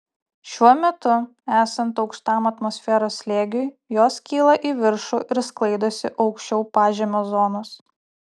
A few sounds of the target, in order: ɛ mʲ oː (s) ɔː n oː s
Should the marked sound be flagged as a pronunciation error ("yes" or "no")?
yes